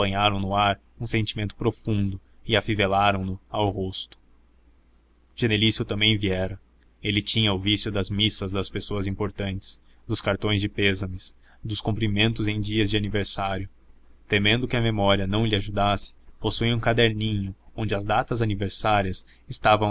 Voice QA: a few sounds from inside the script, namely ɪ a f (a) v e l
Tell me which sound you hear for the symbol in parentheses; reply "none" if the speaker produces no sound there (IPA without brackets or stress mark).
i